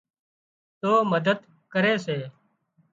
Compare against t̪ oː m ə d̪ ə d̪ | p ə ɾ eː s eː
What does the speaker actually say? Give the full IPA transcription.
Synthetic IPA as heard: t̪ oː m ə d̪ ə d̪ | k ə ɾ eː s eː